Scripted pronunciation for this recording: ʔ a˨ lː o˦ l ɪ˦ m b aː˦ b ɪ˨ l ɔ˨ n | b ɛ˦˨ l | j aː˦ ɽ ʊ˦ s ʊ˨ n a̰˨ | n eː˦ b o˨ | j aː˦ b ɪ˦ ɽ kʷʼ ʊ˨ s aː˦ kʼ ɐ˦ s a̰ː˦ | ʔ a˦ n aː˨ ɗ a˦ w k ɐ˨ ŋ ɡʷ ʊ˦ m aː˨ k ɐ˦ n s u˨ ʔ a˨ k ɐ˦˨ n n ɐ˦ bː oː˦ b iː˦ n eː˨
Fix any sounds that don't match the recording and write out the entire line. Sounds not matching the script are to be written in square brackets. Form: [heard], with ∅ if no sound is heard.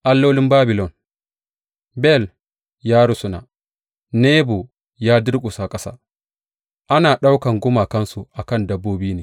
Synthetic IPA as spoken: ʔ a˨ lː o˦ l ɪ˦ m b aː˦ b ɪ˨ l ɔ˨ n | b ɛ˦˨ l | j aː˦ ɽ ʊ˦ s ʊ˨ n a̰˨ | n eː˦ b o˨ | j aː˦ [d] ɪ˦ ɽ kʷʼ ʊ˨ s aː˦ kʼ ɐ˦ s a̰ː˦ | ʔ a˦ n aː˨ ɗ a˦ w k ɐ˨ ŋ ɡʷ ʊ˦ m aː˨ k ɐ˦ n s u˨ ʔ a˨ k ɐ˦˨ n [d] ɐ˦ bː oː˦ b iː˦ n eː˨